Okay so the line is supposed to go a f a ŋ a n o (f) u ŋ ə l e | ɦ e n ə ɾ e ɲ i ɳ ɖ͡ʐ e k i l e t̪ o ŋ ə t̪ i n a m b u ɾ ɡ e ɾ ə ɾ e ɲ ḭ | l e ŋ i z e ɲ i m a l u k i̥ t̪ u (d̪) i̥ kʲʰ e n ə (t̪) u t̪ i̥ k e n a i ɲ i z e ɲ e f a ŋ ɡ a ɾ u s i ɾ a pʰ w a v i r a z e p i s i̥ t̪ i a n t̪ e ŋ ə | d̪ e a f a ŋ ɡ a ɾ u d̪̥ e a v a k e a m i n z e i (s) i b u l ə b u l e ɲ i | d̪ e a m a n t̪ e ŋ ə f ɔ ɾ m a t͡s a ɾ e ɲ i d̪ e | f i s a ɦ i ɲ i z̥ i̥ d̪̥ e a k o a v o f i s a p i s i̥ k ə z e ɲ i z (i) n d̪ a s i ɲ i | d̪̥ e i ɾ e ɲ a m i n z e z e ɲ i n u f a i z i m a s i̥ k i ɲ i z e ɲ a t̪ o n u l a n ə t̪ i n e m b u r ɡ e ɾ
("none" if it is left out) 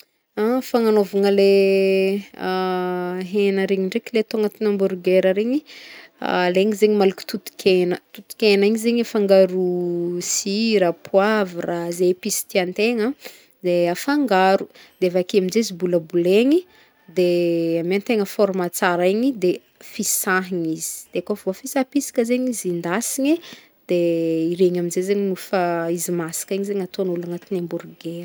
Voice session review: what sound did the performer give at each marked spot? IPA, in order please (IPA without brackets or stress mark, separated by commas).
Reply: v, t̪, t̪, z, i